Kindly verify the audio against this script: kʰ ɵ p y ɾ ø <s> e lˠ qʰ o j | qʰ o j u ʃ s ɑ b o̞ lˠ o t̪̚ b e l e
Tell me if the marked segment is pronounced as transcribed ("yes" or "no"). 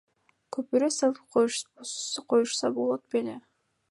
yes